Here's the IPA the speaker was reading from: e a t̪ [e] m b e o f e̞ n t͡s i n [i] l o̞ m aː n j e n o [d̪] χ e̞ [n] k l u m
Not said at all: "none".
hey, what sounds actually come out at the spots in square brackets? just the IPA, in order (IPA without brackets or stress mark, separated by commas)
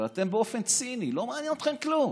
e, i, t̪, m